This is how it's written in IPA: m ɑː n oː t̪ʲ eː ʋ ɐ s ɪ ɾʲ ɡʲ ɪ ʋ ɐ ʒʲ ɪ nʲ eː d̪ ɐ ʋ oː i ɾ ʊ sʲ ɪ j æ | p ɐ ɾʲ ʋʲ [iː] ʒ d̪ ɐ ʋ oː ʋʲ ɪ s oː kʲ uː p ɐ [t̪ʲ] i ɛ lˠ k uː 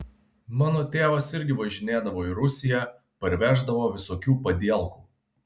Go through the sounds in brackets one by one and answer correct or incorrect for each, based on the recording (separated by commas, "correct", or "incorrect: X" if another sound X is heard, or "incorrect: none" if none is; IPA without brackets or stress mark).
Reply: incorrect: æː, incorrect: d̪ʲ